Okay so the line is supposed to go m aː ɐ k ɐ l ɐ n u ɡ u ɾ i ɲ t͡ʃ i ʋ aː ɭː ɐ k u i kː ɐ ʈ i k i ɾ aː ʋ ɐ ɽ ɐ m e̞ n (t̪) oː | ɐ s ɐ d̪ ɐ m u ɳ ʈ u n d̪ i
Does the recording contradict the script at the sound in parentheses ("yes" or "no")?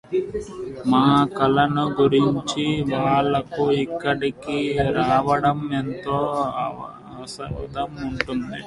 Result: no